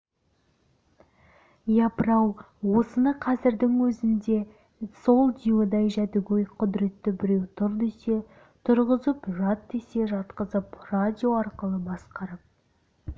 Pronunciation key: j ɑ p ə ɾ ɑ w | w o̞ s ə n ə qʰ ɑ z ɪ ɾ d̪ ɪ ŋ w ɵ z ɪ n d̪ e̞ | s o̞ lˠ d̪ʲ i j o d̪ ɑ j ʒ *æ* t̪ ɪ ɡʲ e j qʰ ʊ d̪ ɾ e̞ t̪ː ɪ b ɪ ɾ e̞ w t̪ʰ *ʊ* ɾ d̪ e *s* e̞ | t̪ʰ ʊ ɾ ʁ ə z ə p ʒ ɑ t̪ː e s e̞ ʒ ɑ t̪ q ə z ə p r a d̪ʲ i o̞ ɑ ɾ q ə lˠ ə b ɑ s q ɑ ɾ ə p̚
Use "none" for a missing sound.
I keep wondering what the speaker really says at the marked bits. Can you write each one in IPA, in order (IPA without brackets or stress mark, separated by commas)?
æ, ʊ, s